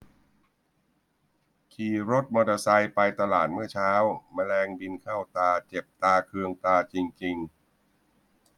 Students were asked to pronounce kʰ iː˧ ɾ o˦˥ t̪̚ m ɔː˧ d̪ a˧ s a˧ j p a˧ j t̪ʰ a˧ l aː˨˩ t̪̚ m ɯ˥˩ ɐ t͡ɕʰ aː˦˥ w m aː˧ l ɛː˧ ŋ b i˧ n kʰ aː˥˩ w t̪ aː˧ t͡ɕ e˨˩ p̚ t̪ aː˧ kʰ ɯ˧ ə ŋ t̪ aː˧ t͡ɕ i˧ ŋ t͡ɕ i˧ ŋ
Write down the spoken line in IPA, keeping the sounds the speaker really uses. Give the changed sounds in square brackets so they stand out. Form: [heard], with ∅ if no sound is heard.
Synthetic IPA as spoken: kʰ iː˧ ɾ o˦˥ t̪̚ m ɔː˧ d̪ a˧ s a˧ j p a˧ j [t̪] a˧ l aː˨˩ t̪̚ m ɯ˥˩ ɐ t͡ɕʰ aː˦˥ w m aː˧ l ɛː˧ ŋ b i˧ n kʰ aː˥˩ w t̪ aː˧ t͡ɕ e˨˩ p̚ t̪ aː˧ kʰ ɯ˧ ə ŋ t̪ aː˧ t͡ɕ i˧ ŋ t͡ɕ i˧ ŋ

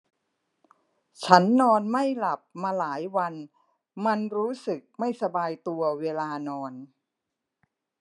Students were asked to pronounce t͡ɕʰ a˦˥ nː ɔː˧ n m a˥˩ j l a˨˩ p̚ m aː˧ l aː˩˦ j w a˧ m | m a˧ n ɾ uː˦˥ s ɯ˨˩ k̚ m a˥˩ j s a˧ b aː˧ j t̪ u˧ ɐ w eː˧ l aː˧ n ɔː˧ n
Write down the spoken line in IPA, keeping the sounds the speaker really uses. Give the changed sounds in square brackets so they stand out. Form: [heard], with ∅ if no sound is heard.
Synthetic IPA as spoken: t͡ɕʰ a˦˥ nː ɔː˧ n m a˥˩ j l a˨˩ p̚ m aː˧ l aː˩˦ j w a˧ [n] | m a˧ n ɾ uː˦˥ s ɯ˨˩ k̚ m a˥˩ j s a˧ b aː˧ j t̪ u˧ ɐ w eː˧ l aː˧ n ɔː˧ n

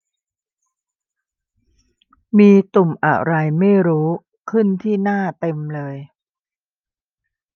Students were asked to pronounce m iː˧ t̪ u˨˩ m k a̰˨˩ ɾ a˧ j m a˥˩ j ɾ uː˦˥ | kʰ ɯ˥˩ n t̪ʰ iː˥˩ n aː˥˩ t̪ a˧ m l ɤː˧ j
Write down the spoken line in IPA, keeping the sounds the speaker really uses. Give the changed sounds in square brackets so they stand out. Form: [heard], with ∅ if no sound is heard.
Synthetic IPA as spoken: m iː˧ t̪ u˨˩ m [ʔ] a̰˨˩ ɾ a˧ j m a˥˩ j ɾ uː˦˥ | kʰ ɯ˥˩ n t̪ʰ iː˥˩ n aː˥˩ t̪ [e˧] m l ɤː˧ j

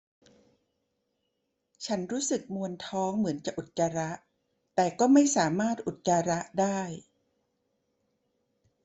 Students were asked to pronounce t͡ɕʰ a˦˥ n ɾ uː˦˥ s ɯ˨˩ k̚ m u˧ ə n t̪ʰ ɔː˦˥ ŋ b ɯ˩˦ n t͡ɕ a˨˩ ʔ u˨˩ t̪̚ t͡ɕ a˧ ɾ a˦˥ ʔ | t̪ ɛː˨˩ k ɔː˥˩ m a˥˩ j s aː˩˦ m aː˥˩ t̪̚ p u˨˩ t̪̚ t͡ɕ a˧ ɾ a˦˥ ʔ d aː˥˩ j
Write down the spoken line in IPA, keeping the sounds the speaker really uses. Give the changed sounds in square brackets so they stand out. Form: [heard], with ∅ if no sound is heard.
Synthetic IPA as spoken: t͡ɕʰ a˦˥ n ɾ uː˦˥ s ɯ˨˩ k̚ m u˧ ə n t̪ʰ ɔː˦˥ ŋ [m] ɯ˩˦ n t͡ɕ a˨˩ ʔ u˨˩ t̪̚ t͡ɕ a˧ ɾ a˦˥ ʔ | t̪ ɛː˨˩ k ɔː˥˩ m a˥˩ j s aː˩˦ m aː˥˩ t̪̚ [ʔ] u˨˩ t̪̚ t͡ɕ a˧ ɾ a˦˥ ʔ d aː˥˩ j

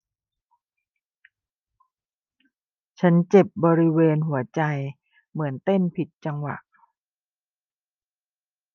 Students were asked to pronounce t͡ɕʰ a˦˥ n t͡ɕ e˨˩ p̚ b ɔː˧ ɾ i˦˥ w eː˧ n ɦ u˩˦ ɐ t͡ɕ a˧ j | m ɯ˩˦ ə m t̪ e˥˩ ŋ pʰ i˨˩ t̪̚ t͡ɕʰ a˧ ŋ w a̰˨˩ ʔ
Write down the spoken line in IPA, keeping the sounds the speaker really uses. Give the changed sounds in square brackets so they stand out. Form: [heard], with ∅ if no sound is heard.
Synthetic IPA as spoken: t͡ɕʰ a˦˥ n t͡ɕ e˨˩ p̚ b ɔː˧ ɾ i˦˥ w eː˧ n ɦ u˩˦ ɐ t͡ɕ a˧ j | m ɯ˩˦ ə [n] t̪ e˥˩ [n] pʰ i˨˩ t̪̚ [t͡ɕ] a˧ ŋ w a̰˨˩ ʔ

